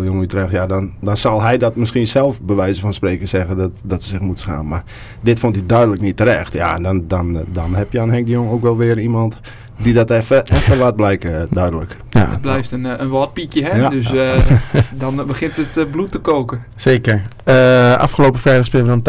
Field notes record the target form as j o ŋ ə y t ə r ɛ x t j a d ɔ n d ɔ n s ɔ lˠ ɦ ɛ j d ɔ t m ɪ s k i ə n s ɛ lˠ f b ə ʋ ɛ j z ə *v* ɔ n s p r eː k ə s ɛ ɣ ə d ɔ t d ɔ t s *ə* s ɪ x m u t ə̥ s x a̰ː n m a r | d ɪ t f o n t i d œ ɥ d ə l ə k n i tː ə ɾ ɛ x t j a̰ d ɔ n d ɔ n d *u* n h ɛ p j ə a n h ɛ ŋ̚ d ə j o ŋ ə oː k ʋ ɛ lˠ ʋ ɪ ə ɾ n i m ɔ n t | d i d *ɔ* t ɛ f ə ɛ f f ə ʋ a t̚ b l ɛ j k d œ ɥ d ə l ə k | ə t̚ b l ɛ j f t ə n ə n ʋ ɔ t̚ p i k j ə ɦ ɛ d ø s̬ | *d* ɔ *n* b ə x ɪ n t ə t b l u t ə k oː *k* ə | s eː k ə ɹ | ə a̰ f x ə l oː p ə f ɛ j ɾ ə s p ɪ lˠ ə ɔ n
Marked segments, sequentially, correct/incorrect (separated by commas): incorrect, correct, incorrect, correct, correct, correct, correct